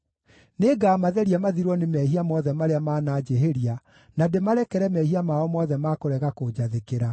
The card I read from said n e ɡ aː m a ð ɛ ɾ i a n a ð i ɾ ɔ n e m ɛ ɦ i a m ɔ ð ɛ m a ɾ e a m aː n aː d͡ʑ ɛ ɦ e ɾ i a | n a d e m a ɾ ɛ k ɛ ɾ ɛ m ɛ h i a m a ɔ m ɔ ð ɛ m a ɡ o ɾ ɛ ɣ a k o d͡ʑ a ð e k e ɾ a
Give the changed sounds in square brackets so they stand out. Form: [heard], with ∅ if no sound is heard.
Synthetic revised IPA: n e ɡ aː m a ð ɛ ɾ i a [m] a ð i ɾ ɔ n e m ɛ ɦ i a m ɔ ð ɛ m a ɾ e a m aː n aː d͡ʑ [e] ɦ e ɾ i a | n a d e m a ɾ ɛ k ɛ ɾ ɛ m ɛ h i a m a ɔ m ɔ ð ɛ m a [k] o ɾ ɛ ɣ a k o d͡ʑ a ð e k e ɾ a